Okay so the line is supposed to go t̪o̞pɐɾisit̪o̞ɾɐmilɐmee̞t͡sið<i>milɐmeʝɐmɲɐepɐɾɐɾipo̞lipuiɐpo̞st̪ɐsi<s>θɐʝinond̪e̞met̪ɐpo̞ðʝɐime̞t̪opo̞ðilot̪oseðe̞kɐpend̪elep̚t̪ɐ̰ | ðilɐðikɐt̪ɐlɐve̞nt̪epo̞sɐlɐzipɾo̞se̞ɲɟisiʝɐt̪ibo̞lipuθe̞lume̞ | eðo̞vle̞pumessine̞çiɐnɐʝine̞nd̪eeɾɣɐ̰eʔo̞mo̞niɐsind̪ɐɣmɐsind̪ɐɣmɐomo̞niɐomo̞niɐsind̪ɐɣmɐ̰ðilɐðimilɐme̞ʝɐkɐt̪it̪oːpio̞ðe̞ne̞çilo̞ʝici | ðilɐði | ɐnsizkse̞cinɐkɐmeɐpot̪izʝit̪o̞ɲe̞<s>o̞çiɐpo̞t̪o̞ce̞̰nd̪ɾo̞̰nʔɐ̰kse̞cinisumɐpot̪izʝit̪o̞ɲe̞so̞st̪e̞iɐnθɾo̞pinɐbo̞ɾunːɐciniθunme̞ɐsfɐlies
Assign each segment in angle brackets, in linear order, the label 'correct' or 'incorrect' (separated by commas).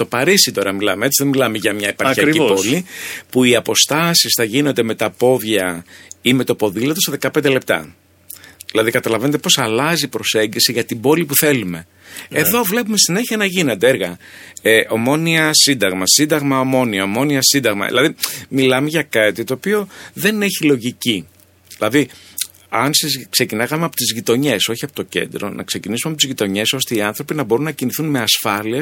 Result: incorrect, correct, correct